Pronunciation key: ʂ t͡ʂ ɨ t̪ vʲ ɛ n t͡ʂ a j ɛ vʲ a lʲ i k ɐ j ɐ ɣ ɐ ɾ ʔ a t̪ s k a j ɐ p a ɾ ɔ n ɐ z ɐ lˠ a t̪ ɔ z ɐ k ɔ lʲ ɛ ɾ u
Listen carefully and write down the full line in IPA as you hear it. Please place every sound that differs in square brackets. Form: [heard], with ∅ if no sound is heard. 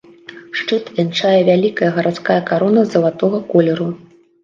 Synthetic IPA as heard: ʂ t͡ʂ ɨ t̪ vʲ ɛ n t͡ʂ a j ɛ vʲ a lʲ i k ɐ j ɐ ɣ ɐ ɾ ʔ a t̪ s k a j ɐ [k] a ɾ ɔ n ɐ z ɐ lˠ a t̪ ɔ [ɣ] ɐ k ɔ lʲ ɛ ɾ u